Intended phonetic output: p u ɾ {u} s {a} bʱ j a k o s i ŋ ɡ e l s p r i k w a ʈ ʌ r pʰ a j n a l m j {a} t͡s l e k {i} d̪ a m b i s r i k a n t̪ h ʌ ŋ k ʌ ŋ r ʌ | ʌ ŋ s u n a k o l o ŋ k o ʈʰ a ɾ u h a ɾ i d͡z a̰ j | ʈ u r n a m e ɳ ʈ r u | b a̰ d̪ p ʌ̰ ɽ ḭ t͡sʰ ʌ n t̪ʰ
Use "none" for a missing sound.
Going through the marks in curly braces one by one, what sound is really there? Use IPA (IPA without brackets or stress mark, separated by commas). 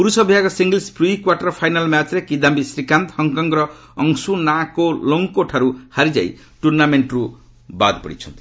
u, ʌ, a, i